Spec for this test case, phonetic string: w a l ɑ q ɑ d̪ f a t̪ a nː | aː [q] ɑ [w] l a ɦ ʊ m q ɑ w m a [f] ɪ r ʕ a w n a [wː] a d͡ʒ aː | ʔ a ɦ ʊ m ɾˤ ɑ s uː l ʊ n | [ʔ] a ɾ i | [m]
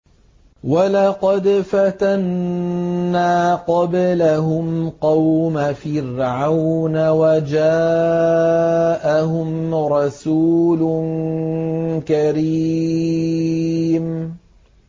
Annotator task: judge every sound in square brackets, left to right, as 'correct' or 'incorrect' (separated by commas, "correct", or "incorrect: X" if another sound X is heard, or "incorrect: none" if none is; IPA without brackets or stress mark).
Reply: correct, incorrect: b, correct, incorrect: w, incorrect: k, correct